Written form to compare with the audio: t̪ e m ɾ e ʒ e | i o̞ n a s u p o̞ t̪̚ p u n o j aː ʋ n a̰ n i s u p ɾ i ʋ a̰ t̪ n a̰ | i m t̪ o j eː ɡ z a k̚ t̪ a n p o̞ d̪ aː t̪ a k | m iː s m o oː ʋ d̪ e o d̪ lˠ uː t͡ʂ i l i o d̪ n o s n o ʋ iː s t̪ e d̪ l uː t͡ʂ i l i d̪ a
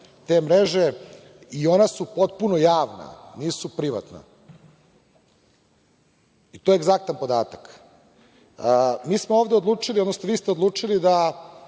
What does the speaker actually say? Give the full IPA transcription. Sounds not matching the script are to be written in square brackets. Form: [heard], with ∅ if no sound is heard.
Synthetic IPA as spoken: t̪ e m ɾ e ʒ e | i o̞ n a s u p o̞ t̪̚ p u n o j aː ʋ n a̰ n [iː] s u p ɾ i ʋ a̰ t̪ n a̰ | i [∅] t̪ o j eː ɡ z a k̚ t̪ a n p o̞ d̪ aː t̪ a k | m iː s m o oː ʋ d̪ e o d̪ lˠ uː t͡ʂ i l i o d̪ n o s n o ʋ iː s t̪ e d̪ l uː t͡ʂ i l i d̪ a